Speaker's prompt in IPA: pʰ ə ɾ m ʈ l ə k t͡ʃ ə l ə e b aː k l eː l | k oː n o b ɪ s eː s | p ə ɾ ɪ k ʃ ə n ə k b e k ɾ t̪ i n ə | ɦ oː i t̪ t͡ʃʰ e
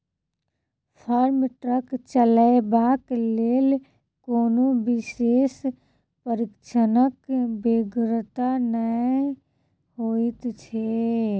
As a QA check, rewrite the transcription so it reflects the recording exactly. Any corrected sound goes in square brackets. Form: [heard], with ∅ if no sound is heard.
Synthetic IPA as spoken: pʰ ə ɾ m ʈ [ɾ] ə k t͡ʃ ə l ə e b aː k l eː l | k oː n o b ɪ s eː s | p ə ɾ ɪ k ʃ ə n ə k b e [ɡ] ɾ t̪ [a] n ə | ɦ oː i t̪ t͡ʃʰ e